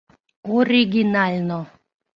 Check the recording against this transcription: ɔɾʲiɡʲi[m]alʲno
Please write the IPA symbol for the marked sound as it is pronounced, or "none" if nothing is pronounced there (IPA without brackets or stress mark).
n